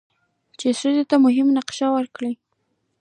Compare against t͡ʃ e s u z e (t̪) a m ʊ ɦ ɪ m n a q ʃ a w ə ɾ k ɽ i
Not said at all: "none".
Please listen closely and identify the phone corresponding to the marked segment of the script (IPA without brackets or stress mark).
t̪